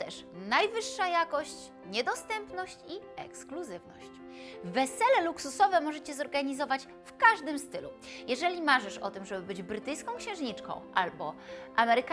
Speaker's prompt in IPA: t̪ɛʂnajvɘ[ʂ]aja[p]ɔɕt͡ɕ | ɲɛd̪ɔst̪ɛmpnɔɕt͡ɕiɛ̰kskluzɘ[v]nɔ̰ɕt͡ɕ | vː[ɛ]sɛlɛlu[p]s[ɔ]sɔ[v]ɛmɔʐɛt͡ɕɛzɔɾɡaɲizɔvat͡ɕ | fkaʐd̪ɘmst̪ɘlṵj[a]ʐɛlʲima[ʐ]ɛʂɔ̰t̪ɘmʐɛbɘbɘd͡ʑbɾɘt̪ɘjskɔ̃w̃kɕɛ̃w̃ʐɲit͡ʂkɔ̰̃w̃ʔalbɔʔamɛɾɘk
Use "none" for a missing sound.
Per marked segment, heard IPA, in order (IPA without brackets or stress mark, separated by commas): ʂː, k, v, ɛ, k, u, v, ɛ, ʐ